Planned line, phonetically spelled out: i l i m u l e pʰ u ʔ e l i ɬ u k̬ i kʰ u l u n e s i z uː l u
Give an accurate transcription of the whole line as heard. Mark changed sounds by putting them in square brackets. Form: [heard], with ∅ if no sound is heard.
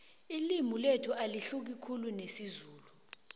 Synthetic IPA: i l i m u l e [tʰ] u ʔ [a] l i ɬ u k̬ i kʰ u l u n e s i z uː l u